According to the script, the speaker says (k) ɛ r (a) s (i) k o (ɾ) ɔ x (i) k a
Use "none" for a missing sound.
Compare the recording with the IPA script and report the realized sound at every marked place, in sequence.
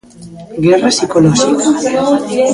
ɡ, a, i, l, i

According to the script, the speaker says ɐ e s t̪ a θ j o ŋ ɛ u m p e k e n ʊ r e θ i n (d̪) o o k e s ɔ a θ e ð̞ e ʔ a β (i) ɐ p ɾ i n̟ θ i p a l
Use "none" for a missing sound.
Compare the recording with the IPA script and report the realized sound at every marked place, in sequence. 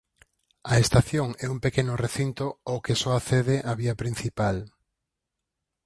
t̪, i

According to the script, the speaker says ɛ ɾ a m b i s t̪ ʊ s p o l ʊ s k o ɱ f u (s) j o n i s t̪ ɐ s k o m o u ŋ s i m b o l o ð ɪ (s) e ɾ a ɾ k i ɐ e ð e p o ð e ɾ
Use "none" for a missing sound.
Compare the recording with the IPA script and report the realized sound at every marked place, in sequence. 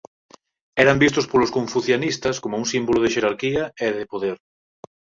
θ, ʃ

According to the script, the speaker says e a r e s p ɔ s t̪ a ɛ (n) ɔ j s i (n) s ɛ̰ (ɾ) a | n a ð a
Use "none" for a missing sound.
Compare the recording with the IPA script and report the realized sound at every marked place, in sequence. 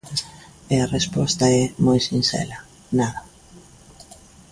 m, n, l

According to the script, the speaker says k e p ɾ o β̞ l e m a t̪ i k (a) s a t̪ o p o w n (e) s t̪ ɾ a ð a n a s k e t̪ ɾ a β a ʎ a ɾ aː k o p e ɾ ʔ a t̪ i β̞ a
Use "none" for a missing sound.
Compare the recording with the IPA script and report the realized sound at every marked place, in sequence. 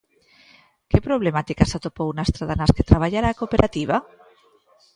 a, a

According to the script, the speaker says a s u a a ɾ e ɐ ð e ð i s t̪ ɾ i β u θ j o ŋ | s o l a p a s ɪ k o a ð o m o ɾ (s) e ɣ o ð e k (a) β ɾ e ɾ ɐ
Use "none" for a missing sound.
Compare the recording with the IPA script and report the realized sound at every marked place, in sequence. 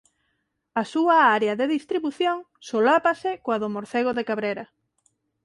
θ, a

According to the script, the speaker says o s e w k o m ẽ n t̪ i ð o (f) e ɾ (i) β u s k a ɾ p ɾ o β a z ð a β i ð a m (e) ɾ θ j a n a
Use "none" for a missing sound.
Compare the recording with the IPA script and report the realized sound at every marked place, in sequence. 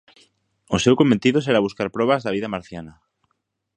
s, a, a

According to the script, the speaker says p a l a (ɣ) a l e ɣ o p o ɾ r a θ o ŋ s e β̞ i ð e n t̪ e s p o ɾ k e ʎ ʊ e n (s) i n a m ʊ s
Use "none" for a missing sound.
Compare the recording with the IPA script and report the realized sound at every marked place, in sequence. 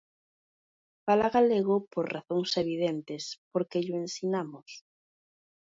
ɣ, s

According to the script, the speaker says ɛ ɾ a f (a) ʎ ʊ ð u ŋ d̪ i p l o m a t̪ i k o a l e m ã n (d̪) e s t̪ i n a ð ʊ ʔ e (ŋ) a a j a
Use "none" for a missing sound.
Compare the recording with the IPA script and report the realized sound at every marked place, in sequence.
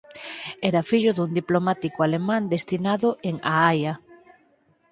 i, d̪, ŋ

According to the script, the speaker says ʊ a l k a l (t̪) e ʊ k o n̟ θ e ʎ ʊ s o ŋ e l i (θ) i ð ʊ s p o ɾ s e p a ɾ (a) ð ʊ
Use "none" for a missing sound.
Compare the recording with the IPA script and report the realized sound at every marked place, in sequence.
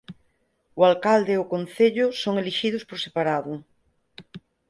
d̪, ʃ, a

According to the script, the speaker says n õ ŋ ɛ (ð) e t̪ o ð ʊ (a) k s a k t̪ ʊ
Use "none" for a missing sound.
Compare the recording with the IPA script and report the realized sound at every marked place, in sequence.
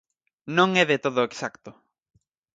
ð, e

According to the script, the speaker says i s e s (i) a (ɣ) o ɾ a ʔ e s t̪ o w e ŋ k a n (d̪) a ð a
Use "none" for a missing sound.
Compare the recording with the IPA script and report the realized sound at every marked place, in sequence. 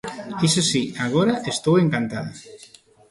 i, ɣ, t̪

